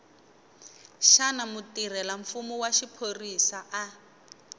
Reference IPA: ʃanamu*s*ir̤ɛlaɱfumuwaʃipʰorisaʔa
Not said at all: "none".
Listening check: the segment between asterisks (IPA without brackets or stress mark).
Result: t